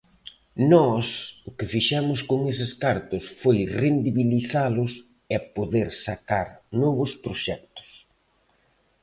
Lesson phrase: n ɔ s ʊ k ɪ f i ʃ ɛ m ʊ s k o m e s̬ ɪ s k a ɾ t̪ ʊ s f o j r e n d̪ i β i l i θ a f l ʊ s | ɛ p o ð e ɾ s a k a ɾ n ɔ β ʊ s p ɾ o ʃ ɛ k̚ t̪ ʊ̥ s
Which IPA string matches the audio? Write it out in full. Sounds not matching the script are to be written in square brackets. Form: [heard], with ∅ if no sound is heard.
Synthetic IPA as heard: n ɔ s ʊ k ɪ f i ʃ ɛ m ʊ s k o [ŋ] e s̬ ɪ s k a ɾ t̪ ʊ s f o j r e n d̪ i β i l i θ a [∅] l ʊ s | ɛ p o ð e ɾ s a k a ɾ n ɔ β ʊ s p ɾ o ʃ ɛ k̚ t̪ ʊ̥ s